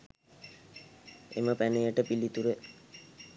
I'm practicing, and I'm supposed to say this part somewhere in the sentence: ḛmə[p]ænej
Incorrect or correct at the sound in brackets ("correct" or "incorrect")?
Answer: correct